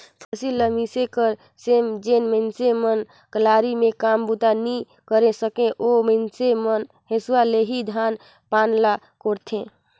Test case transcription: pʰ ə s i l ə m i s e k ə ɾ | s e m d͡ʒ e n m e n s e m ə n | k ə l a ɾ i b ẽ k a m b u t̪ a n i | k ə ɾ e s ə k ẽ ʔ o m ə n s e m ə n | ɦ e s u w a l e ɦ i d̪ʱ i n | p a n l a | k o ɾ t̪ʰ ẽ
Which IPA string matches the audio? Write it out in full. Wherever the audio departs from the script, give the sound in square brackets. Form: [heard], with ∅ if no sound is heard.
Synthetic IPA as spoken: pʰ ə s i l ə m i s e k ə ɾ | s e m d͡ʒ e n m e n s e m ə n | k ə l a ɾ i [m] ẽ k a m b u t̪ a n i | k ə ɾ e s ə k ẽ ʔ o m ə n s e m ə n | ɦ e s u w a l e ɦ i d̪ʱ [a] n | p a n l a | k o ɾ t̪ʰ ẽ